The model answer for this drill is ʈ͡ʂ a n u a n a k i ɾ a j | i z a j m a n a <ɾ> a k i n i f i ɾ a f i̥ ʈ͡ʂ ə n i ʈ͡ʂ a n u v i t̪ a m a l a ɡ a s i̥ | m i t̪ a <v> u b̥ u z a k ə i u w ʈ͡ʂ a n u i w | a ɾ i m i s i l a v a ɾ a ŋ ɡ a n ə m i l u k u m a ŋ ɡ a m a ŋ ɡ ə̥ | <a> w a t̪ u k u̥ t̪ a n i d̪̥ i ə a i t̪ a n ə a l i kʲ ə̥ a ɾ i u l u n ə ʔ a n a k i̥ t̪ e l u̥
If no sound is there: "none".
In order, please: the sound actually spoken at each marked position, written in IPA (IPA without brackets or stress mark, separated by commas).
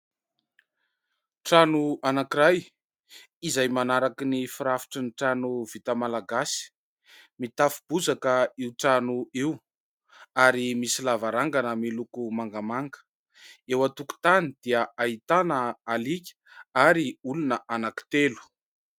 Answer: ɾ, f, e